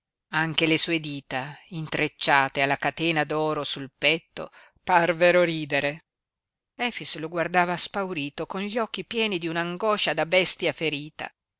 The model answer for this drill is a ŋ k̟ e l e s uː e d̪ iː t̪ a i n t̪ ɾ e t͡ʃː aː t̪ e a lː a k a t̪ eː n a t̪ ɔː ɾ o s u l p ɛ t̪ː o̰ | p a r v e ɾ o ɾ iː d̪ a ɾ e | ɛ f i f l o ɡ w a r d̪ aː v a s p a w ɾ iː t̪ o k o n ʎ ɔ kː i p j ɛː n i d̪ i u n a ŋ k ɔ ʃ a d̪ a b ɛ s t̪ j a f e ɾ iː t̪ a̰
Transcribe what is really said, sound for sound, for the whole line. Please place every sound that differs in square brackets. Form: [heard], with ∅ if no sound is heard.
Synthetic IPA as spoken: a ŋ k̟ e l e s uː e d̪ iː t̪ a i n t̪ ɾ e t͡ʃː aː t̪ e a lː a k a t̪ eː n a [d̪] ɔː ɾ o s u l p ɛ t̪ː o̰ | p a r v e ɾ o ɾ iː d̪ [e] ɾ e | ɛ f i [s] l o ɡ w a r d̪ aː v a s p a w ɾ iː t̪ o k o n ʎ ɔ kː i p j ɛː n i d̪ i u n a ŋ [ɡ] ɔ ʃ a d̪ a b ɛ s t̪ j a f e ɾ iː t̪ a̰